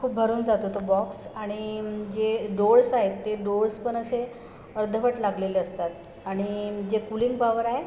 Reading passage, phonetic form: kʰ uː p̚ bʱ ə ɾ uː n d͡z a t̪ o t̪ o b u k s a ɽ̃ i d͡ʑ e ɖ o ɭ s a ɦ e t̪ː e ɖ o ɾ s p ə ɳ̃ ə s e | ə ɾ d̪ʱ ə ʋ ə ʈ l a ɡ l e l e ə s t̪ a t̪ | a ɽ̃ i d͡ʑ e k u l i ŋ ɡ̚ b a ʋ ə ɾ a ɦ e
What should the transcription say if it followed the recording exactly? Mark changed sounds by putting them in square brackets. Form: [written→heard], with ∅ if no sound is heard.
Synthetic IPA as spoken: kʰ uː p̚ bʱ ə ɾ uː n d͡z a t̪ o t̪ o b [u→ɔ] k s a ɽ̃ i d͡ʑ e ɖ o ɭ s a ɦ e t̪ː e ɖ o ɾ s p ə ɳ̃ ə s e | ə ɾ d̪ʱ ə ʋ ə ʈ l a ɡ l e l e ə s t̪ a t̪ | a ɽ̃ i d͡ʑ e k u l i ŋ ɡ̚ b a ʋ ə ɾ a ɦ e